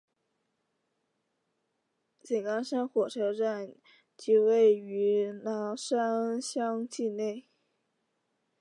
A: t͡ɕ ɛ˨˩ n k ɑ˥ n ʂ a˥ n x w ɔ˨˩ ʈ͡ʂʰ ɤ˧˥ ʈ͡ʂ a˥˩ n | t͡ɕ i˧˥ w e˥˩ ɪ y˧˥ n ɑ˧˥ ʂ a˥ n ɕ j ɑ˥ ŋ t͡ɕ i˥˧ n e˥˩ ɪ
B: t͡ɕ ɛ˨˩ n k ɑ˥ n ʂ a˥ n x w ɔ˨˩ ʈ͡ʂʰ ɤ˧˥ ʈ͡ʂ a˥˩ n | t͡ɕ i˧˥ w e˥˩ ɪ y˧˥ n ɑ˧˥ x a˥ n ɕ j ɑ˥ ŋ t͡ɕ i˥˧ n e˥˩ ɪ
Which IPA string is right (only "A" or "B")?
A